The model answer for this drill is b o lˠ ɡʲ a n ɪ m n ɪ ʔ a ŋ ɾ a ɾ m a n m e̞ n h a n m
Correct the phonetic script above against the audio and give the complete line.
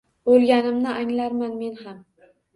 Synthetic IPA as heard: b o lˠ ɡʲ a n ɪ m n ɪ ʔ a ŋ l a ɾ m a n m e̞ n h a m

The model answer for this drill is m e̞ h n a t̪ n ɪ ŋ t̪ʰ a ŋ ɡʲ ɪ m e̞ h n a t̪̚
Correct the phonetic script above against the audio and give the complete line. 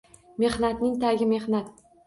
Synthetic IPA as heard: m e̞ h n a t̪ n ɪ ŋ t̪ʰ a ɡʲ ɪ m e̞ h n a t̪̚

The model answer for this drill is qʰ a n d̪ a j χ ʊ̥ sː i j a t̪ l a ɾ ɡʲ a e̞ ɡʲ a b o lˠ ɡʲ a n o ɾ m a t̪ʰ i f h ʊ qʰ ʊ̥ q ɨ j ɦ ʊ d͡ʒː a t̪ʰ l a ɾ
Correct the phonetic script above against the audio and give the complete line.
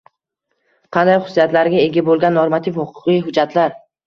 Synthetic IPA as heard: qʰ ɑ n d̪ a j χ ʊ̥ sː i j a t̪ l a ɾ ɡʲ a e̞ ɡʲ a b o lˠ ɡʲ a nː o ɾ m a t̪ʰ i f h ʊ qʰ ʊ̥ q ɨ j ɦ ʊ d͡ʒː a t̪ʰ l a ɾ

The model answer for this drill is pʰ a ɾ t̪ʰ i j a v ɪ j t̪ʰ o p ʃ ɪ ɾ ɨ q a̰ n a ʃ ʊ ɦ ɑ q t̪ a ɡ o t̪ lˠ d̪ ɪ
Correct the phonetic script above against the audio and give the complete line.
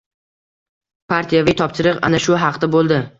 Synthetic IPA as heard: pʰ a ɾ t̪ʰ i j a v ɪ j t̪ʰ ɒ p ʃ ɪ ɾ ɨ q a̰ n a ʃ ʊ ɦ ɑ q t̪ a b o lˠ d̪ ɪ

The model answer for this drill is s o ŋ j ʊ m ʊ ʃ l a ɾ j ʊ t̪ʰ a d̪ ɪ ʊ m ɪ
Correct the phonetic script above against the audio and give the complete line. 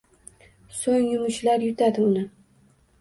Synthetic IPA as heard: s o ŋ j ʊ m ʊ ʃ l a ɾ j ʊ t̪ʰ a d̪ ɪ ʊ n ɪ

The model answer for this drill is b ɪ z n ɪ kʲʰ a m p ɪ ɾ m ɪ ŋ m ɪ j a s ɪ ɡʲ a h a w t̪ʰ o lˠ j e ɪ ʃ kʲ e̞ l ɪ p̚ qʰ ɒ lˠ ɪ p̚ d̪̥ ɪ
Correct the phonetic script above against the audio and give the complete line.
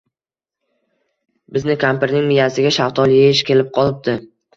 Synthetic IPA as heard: b ɪ z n ɪ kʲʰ a m p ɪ ɾ n ɪ ŋ m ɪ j a s ɪ ɡʲ a ʃ a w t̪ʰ ɒ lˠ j e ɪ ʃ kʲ e̞ l ɪ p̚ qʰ ɒ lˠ ɪ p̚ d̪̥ ɪ

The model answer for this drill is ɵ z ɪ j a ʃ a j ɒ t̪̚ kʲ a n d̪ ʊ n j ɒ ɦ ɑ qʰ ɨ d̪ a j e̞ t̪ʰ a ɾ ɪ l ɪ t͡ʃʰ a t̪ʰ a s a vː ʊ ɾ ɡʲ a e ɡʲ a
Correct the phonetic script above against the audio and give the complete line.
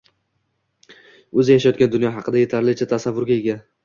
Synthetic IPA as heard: ɵ z ɪ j a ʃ a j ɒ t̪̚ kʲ a n d̪ ʊ n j ɒ ɦ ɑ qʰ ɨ d̪ a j e̞ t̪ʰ a ɾ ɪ l ɪ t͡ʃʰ a t̪ʰ a s a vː ʊ ɾ ɡʲ a e ɡʲ a

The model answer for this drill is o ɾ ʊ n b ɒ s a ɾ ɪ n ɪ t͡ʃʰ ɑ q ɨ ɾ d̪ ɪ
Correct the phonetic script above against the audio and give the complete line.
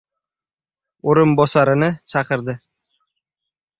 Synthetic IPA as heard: o ɾ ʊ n b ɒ s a ɾ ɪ n ɪ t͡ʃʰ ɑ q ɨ ɾ d̪ ɪ

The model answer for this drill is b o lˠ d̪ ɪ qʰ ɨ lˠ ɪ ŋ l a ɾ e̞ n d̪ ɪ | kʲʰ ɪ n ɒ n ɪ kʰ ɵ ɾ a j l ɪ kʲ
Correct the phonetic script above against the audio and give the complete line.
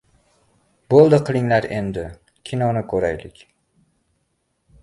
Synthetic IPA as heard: b o lˠ d̪ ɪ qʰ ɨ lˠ ɪ ŋ l a ɾ e̞ n d̪ ɪ | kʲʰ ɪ n ɒ n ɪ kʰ ɵ ɾ a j l ɪ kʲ

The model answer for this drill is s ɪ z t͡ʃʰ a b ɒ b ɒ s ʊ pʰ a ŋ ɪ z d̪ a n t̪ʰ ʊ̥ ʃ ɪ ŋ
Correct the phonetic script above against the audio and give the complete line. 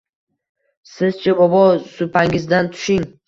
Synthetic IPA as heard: s ɪ z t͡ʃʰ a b ɒ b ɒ s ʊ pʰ a ŋ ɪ z d̪ a n t̪ʰ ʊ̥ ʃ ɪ ŋ

